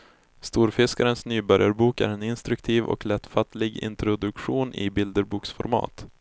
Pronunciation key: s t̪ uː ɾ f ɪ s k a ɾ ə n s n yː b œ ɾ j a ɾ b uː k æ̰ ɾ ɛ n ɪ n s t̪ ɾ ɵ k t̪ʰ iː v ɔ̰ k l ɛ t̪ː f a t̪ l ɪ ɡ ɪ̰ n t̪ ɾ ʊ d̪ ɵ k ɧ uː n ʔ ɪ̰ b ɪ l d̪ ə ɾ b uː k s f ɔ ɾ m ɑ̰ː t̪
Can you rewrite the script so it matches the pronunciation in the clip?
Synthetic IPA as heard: s t̪ uː ɾ f ɪ s k a ɾ ə n s n yː b œ ɾ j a ɾ b uː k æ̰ ɾ ɛ n ɪ n s t̪ ɾ ɵ k t̪ʰ iː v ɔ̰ k l ɛ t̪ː f a t̪ l ɪ ɡ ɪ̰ n t̪ ɾ ʊ d̪ ɵ k ɧ uː n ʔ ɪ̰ b ɪ l d̪ ə ɾ b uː k s f ɔ ɾ m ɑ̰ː t̪